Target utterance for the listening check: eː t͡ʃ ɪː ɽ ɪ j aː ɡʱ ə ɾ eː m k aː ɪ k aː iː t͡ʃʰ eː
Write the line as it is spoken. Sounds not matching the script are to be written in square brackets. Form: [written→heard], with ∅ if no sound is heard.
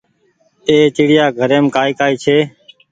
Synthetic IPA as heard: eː t͡ʃ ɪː ɽ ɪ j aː ɡʱ ə ɾ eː m k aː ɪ k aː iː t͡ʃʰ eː